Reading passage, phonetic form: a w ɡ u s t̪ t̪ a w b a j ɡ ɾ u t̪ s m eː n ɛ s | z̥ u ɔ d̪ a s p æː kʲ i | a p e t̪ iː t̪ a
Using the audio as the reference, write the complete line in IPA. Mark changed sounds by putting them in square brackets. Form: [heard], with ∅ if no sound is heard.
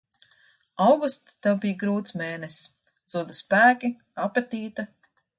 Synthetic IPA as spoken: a w ɡ u s t̪ t̪ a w b [i] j ɡ ɾ [uː] t̪ s m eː n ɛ s | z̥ u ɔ d̪ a s p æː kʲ i | a p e t̪ iː t̪ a